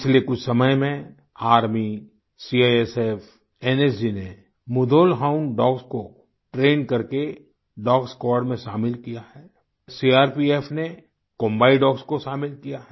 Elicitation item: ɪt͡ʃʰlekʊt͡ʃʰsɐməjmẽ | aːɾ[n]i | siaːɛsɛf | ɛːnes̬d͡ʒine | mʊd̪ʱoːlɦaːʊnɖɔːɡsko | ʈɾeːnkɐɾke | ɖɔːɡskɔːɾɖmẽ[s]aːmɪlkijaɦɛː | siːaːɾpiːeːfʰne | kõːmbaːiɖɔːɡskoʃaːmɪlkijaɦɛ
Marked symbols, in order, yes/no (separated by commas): no, no